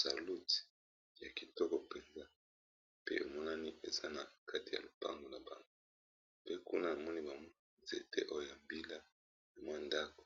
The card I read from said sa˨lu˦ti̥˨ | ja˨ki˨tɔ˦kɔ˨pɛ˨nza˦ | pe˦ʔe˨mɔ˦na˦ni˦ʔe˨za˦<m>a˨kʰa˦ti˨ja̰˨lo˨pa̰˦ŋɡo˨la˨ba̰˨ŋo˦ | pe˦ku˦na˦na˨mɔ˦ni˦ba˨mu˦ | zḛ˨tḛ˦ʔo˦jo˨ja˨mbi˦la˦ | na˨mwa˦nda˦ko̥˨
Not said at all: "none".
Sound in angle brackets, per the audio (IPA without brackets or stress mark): n